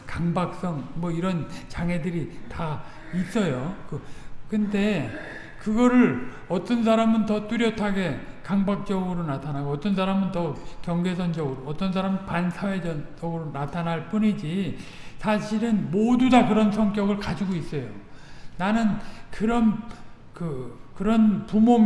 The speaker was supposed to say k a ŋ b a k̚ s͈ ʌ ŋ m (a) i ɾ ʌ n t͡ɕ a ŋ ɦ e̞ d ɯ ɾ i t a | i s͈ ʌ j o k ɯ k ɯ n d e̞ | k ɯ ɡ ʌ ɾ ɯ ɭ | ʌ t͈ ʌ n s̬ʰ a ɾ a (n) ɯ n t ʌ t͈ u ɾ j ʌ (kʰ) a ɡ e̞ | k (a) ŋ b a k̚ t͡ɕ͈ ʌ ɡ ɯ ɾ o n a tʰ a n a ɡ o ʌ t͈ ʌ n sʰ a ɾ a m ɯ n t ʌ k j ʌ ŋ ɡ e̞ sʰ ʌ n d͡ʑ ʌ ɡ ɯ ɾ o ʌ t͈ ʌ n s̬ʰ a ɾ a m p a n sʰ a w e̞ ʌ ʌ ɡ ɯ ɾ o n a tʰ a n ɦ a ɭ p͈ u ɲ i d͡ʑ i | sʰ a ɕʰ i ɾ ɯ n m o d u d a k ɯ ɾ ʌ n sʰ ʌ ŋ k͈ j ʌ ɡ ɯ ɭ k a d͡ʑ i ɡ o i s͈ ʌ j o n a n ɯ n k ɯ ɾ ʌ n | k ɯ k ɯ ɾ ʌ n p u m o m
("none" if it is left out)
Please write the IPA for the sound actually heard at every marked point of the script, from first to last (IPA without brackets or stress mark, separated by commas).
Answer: ʌ, m, tʰ, a